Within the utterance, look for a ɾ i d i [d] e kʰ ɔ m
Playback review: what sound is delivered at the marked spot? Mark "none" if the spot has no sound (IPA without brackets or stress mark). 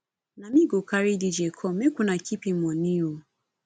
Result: d͡ʒ